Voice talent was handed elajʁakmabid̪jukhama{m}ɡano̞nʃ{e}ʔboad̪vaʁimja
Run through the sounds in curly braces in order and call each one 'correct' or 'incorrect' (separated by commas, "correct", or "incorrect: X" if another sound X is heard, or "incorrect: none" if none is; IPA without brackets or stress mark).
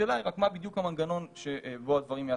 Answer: incorrect: n, correct